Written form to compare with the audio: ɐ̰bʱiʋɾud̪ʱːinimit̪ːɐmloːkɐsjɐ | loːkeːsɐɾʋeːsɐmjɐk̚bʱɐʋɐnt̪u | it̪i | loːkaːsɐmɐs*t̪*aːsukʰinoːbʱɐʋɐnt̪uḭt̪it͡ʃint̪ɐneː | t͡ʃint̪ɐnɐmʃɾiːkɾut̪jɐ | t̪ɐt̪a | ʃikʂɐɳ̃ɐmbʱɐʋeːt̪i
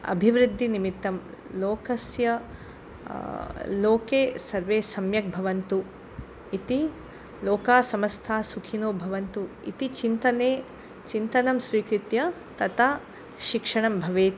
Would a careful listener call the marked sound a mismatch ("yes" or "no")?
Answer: yes